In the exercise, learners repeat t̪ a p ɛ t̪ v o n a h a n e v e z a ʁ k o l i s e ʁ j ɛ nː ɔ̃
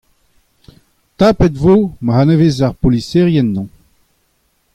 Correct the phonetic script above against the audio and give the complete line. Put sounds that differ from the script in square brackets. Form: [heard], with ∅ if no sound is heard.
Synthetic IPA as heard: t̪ a p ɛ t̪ v o [m] a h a n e v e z a ʁ [p] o l i s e ʁ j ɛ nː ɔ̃